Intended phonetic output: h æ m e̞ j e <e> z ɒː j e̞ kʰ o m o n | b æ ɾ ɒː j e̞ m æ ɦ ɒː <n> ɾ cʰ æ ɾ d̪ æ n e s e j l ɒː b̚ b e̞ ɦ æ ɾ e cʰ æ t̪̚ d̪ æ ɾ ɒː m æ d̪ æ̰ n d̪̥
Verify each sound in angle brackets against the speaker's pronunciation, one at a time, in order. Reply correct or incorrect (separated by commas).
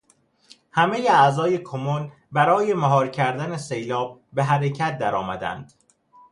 incorrect, incorrect